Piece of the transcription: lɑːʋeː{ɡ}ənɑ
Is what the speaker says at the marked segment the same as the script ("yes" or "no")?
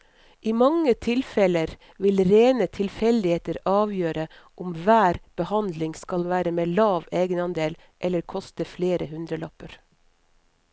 yes